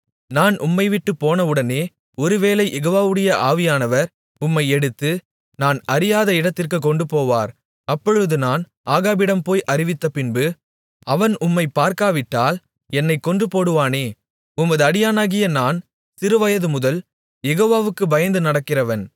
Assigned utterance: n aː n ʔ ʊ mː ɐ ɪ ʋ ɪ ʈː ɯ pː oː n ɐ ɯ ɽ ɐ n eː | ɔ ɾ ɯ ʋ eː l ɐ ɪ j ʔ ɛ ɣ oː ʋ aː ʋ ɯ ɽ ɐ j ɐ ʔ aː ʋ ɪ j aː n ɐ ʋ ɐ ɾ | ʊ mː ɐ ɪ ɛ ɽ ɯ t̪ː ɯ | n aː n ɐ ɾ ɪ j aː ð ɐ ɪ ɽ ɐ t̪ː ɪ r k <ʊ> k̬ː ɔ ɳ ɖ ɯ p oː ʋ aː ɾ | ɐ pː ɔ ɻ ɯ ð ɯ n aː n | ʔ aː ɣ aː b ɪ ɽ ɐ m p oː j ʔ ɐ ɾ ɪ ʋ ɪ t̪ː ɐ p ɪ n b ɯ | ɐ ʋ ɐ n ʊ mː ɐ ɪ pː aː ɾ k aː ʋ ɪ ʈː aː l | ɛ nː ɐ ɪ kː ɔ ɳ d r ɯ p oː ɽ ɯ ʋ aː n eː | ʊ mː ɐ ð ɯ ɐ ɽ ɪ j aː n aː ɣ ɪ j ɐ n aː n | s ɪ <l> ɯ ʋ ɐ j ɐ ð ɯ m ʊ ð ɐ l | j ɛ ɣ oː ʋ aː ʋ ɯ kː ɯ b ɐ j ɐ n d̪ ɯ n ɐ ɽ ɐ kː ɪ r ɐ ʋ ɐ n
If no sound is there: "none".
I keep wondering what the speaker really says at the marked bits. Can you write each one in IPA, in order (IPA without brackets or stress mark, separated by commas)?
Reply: ɯ, ɾ